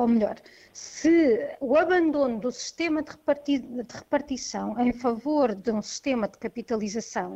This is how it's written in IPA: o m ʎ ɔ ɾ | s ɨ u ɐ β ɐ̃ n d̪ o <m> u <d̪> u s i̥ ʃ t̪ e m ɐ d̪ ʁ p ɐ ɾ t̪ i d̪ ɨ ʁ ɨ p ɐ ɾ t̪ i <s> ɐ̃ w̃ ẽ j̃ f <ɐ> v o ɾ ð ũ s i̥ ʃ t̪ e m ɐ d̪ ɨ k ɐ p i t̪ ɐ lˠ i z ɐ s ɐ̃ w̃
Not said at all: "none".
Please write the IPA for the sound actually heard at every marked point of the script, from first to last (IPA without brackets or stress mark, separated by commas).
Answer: n, d̪, s, ɐ